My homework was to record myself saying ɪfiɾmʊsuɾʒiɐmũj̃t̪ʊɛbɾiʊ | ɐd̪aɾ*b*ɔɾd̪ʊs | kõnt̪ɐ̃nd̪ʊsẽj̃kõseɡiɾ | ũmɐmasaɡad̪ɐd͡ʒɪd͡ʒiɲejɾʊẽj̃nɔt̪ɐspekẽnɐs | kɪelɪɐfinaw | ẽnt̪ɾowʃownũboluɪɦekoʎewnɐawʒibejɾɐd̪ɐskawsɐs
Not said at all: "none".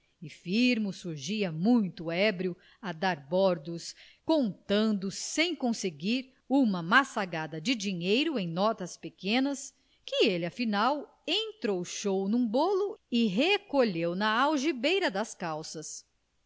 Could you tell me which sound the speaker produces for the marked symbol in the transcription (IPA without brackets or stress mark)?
b